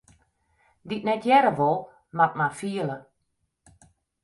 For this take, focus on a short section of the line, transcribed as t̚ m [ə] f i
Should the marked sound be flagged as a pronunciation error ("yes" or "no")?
yes